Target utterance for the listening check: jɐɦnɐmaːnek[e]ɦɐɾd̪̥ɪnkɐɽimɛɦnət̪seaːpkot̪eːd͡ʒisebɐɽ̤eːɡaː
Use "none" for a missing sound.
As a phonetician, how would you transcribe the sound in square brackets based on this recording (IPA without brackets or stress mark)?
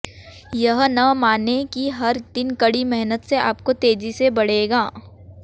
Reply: i